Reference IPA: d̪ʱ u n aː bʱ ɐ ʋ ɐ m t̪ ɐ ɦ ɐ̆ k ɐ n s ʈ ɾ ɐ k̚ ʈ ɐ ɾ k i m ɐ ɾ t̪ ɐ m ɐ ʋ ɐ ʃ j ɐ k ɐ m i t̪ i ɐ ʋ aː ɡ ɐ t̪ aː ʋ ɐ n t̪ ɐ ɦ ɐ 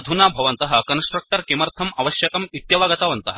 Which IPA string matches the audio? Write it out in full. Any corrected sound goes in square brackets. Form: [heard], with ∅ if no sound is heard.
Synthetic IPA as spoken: d̪ʱ u n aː bʱ ɐ ʋ ɐ [n] t̪ ɐ ɦ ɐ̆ k ɐ n s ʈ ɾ ɐ k̚ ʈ ɐ ɾ k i m ɐ ɾ [t̪ʰ] ɐ m ɐ ʋ ɐ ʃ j ɐ k ɐ m i t̪ [j] ɐ ʋ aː ɡ ɐ t̪ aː ʋ ɐ n t̪ ɐ ɦ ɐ